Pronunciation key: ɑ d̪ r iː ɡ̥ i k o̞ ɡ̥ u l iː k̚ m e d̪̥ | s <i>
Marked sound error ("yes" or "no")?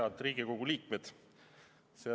yes